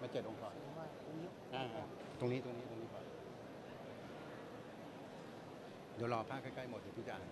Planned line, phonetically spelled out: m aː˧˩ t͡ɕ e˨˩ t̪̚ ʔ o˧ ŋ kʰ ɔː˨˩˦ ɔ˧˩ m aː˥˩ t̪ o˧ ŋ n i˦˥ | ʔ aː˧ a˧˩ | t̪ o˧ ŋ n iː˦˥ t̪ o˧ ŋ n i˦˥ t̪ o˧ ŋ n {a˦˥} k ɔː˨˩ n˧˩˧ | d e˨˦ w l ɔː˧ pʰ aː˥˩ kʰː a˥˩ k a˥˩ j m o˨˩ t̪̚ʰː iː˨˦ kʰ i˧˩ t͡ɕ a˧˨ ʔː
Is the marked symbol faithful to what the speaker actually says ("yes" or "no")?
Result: no